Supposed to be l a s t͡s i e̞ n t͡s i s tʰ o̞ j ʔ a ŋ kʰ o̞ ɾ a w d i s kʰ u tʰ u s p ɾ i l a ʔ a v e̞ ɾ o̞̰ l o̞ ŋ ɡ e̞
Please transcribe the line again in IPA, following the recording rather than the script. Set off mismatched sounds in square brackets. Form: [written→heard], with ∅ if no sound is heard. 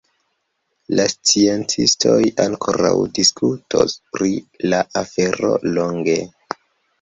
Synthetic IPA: l a s t͡s i e̞ n t͡s i s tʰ o̞ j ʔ a ŋ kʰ o̞ ɾ a w d i s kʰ u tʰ [u→o] s p ɾ i l a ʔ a [v→f] e̞ ɾ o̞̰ l o̞ ŋ ɡ e̞